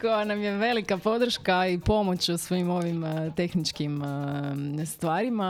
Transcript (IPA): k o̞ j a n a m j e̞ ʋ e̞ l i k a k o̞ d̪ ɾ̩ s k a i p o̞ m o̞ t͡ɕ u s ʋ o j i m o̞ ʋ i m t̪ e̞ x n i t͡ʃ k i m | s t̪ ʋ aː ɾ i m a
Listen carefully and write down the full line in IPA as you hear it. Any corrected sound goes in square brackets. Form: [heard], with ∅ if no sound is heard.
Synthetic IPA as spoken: k o̞ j a n a m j e̞ ʋ e̞ l i k a [p] o̞ d̪ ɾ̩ [ʃ] k a i p o̞ m o̞ t͡ɕ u s ʋ o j i m o̞ ʋ i m t̪ e̞ x n i t͡ʃ k i m | s t̪ ʋ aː ɾ i m a